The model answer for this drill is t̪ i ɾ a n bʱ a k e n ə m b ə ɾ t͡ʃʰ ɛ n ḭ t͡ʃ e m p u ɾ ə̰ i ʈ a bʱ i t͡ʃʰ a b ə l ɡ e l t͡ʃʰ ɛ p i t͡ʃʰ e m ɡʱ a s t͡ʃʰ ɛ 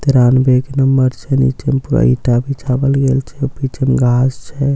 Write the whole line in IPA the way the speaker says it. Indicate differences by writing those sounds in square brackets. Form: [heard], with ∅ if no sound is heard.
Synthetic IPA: t̪ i ɾ a n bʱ [e] k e n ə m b ə ɾ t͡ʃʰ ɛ n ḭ t͡ʃ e m p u ɾ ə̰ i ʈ a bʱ i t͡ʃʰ a b ə l ɡ e l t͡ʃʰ ɛ p i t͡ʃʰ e m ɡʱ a s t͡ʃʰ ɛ